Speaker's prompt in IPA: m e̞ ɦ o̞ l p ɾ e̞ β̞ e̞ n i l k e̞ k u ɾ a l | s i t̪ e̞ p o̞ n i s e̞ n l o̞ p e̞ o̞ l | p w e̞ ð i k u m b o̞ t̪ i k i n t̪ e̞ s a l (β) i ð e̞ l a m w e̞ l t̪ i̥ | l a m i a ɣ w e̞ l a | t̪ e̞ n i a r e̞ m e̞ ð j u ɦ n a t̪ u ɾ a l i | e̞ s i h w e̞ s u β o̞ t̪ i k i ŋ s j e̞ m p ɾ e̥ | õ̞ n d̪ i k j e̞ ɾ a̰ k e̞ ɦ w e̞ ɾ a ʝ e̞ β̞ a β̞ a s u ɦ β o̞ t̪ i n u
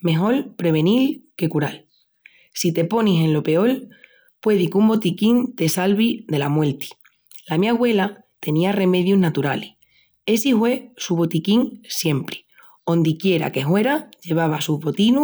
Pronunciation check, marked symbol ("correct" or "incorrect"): correct